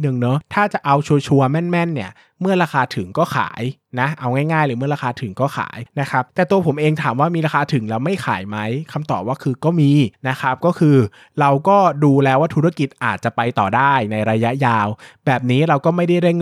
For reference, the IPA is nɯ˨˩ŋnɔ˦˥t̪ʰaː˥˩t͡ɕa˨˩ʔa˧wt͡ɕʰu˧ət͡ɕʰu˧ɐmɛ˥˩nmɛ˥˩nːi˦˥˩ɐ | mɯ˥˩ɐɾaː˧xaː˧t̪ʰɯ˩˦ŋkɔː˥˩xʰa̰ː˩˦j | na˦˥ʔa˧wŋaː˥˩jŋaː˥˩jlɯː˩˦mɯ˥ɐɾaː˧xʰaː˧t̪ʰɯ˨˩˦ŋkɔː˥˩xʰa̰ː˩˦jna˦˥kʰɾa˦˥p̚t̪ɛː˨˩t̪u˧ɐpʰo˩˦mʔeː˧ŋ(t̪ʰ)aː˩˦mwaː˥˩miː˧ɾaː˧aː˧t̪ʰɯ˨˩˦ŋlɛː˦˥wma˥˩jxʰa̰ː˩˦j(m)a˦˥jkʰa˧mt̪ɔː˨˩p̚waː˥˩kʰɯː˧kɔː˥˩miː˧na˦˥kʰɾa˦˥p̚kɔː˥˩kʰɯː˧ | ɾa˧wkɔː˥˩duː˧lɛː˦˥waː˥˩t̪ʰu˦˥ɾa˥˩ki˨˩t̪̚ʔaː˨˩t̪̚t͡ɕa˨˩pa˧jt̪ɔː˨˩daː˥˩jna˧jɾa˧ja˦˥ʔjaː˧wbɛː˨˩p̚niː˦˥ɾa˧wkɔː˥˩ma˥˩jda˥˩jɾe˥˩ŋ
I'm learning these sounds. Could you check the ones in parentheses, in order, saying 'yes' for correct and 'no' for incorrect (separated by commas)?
yes, yes